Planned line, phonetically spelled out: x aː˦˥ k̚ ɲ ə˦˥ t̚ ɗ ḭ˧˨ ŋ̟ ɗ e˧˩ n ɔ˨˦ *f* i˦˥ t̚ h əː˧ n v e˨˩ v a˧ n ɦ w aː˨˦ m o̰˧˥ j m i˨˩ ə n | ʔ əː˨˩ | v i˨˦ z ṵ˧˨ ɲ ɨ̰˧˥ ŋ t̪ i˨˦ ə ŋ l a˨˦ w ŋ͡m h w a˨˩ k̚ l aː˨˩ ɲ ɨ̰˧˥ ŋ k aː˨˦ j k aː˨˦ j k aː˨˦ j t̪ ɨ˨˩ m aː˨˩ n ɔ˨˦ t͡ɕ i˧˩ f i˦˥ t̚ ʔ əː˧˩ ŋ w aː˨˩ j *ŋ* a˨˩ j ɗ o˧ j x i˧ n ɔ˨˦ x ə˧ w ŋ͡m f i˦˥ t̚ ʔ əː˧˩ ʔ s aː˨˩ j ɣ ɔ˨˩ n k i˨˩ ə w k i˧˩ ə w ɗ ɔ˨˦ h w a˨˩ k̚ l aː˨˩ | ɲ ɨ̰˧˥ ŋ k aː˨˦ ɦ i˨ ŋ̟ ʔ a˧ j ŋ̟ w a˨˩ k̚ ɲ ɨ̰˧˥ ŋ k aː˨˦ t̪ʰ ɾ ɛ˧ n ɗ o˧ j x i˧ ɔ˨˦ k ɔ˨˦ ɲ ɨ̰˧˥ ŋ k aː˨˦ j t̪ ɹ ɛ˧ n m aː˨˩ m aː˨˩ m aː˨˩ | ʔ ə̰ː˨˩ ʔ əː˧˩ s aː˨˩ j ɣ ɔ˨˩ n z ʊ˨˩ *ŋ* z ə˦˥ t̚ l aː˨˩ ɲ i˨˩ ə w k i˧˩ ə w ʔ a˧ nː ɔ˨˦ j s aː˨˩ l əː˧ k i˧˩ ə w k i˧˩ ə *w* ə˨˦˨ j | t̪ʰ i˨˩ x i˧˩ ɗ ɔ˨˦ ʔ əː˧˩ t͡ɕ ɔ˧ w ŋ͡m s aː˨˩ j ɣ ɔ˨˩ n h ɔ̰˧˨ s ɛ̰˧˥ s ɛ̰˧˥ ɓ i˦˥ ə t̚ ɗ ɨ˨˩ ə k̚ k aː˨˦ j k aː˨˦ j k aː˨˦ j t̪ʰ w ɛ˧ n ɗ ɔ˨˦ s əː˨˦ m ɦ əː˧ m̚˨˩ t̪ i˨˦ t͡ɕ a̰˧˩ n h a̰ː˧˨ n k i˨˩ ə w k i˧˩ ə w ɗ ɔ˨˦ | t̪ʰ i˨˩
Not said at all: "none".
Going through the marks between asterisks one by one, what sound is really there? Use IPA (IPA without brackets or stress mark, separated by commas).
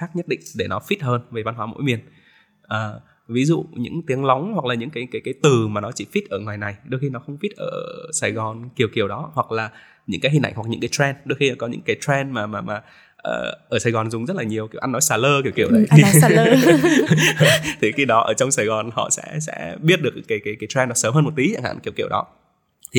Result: f, n, ŋ͡m, w